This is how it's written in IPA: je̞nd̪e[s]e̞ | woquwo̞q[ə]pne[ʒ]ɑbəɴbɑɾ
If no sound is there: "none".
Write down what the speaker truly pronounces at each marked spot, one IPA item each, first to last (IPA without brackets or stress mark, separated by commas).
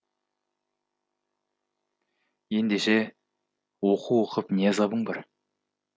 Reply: ʃ, ə, z